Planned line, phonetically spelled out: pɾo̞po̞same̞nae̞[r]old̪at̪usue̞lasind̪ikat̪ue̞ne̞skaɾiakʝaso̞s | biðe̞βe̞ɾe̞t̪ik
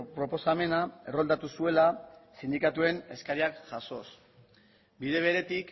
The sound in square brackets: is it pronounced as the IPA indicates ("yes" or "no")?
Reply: yes